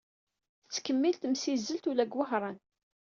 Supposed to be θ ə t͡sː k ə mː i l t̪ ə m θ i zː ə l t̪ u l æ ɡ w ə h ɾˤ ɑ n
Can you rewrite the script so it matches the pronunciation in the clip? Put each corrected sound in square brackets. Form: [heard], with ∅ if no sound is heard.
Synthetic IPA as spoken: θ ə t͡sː k ə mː i l t̪ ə m [s] i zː ə l t̪ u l æ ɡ w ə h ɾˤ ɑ n